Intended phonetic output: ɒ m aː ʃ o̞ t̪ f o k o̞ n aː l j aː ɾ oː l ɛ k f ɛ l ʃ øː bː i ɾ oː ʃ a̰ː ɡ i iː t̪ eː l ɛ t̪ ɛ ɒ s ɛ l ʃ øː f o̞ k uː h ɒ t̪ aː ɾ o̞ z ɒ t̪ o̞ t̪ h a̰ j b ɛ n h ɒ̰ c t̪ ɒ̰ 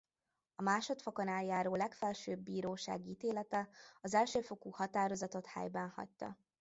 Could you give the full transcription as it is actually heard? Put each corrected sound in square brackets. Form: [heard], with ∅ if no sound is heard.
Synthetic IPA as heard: ɒ m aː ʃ o̞ t̪ f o k o̞ n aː l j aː ɾ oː l ɛ k f ɛ l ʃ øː bː [iː] ɾ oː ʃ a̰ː ɡ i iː t̪ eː l ɛ t̪ ɛ ɒ [z] ɛ l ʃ øː f o̞ k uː h ɒ t̪ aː ɾ o̞ z ɒ t̪ o̞ t̪ h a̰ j b ɛ n h ɒ̰ c t̪ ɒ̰